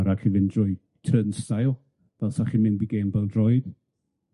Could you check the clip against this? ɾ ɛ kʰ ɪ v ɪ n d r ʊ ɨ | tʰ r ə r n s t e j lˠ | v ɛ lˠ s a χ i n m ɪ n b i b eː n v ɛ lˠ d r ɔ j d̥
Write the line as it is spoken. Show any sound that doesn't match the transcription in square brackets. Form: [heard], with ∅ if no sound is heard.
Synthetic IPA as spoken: ɾ [a] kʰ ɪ v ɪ n d r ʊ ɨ | tʰ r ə [∅] n s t [a] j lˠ | v ɛ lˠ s a χ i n m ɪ n b i [ɡ] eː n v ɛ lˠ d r ɔ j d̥